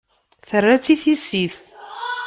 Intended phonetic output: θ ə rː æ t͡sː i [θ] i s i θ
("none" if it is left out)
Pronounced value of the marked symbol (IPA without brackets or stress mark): θ